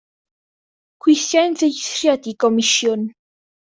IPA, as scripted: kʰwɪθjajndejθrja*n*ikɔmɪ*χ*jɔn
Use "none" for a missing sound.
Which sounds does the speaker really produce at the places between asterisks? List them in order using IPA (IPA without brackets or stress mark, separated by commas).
d, ʃ